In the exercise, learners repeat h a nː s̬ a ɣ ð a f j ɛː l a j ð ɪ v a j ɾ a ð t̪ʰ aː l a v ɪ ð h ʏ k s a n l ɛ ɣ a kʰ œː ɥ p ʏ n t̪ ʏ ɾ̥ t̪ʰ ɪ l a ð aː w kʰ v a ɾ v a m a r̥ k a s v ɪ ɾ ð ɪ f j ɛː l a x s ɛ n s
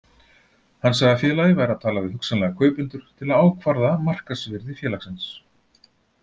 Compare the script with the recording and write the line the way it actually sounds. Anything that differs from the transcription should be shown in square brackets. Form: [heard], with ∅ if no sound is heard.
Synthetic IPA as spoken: h a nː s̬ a ɣ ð a f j ɛː l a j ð ɪ v a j ɾ a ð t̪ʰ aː l a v ɪ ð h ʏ k s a n l ɛ ɣ a kʰ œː ɥ p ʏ n t̪ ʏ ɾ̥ t̪ʰ ɪ l a ð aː w kʰ v a ɾ [ð] a m a r̥ k a s v ɪ ɾ ð ɪ f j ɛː l a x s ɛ n s